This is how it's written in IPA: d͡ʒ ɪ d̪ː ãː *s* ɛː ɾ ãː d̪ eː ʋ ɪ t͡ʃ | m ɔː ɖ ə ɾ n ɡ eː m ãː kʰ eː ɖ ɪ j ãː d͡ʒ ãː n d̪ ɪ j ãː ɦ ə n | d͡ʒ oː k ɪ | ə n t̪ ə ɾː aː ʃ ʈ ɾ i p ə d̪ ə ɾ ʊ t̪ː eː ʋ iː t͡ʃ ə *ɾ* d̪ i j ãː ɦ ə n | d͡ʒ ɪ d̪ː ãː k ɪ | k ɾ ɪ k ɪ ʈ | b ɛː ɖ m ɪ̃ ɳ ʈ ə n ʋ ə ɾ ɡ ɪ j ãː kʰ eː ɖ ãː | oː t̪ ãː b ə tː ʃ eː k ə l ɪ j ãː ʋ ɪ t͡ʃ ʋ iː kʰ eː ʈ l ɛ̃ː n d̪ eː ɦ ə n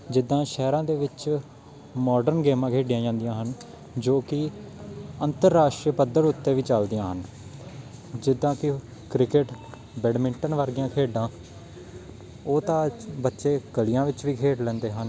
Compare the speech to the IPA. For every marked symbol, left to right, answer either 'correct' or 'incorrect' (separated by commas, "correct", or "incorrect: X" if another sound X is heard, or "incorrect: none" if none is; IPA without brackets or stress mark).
incorrect: ʃ, incorrect: l